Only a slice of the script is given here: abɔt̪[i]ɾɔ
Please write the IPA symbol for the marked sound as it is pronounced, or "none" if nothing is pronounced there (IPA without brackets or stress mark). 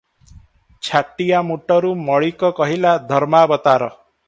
a